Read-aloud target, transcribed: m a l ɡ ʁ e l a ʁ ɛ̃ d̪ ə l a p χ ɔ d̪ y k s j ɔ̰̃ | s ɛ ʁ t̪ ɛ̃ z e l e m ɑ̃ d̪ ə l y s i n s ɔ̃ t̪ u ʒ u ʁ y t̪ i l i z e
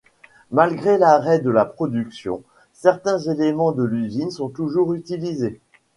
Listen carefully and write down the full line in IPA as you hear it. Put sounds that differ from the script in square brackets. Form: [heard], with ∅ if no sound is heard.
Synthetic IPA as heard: m a l ɡ ʁ e l a ʁ [ɛ] d̪ ə l a p χ ɔ d̪ y k s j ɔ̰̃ | s ɛ ʁ t̪ ɛ̃ z e l e m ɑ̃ d̪ ə l y [z] i n s ɔ̃ t̪ u ʒ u ʁ y t̪ i l i z e